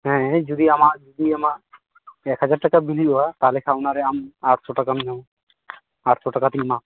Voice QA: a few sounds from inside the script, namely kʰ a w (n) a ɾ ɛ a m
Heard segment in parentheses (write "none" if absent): n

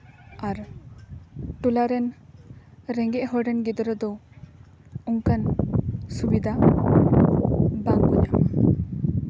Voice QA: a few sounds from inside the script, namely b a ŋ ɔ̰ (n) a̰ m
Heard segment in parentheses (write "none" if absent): ɲ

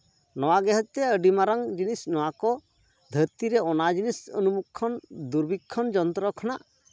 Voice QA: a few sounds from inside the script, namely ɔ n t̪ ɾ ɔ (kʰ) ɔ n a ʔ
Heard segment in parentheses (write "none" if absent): kʰ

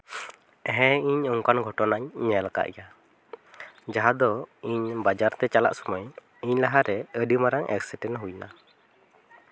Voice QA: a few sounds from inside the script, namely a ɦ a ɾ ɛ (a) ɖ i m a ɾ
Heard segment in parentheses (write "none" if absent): ə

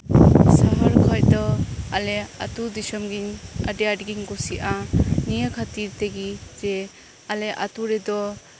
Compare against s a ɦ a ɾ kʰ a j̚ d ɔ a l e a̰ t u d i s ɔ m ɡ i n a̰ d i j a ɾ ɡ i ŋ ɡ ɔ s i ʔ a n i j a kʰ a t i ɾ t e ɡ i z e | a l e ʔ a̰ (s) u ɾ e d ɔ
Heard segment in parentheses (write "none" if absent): t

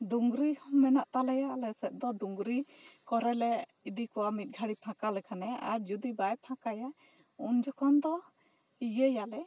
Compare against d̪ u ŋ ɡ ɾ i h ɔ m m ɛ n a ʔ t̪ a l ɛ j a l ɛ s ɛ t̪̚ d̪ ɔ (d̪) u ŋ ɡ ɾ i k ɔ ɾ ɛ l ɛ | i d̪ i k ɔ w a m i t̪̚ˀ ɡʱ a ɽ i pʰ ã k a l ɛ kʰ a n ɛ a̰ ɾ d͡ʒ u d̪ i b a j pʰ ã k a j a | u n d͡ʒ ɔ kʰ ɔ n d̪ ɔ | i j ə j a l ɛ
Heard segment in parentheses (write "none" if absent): d̪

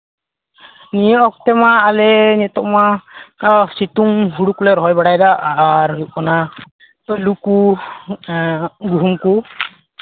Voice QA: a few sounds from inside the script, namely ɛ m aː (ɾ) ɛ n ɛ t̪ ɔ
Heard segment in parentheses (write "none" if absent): l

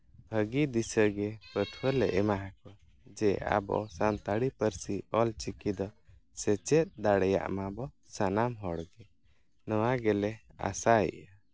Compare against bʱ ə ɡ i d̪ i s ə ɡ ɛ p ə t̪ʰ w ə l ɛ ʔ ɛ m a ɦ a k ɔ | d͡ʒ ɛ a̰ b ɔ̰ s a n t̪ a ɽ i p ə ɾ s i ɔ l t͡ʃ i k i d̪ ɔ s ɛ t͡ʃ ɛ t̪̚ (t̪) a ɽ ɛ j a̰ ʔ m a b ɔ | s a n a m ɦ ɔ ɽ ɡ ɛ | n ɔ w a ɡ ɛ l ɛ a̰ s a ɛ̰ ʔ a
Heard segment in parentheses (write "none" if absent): d̪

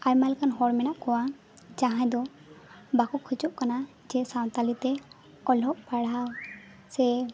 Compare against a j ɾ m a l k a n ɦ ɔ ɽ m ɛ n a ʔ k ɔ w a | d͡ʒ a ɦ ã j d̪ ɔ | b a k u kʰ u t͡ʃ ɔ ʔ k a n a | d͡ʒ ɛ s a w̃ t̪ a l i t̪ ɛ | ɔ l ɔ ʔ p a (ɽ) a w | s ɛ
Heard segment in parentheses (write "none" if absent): ɽ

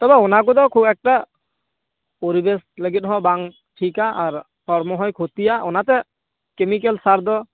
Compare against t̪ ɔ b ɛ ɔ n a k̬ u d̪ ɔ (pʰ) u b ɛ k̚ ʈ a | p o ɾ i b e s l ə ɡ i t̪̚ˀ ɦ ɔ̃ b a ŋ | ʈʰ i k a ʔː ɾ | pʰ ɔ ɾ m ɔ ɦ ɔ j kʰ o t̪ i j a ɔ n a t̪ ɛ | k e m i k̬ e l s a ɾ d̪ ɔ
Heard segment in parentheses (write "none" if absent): kʰ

